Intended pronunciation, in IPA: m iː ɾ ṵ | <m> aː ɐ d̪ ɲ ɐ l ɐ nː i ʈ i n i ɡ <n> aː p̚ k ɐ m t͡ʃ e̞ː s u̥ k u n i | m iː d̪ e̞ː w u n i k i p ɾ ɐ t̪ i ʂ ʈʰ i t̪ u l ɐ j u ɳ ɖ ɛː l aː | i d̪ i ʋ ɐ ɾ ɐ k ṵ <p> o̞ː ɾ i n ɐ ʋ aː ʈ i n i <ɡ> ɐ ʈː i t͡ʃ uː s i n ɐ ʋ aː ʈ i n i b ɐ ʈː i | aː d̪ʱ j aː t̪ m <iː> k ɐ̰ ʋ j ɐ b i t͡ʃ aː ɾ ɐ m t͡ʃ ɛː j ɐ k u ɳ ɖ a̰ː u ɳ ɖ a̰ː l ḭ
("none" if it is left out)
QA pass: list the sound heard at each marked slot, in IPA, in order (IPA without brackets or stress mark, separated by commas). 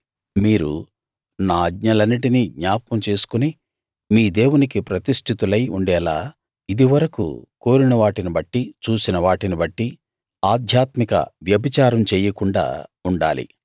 n, ɲ, k, b, i